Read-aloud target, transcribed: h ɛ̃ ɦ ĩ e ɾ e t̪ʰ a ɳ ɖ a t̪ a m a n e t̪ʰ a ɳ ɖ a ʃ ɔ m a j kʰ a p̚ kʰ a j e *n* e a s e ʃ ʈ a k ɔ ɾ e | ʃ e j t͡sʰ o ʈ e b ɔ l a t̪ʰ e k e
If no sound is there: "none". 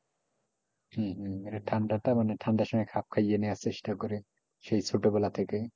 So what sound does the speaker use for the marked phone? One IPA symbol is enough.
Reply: n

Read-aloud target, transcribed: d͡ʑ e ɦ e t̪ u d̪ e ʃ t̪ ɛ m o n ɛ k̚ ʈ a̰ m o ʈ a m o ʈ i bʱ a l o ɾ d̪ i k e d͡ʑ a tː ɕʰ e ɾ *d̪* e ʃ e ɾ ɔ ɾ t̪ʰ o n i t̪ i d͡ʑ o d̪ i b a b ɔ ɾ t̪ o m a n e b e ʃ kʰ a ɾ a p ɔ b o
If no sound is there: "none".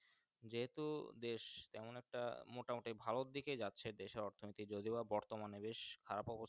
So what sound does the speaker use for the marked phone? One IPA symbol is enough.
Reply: d̪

